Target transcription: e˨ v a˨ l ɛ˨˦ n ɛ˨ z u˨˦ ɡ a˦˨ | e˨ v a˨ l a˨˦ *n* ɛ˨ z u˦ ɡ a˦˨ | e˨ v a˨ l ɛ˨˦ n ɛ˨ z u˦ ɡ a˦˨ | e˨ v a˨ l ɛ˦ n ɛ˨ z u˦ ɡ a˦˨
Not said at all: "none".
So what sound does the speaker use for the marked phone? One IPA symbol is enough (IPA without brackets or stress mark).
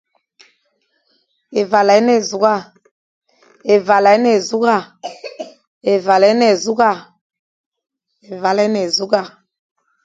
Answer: n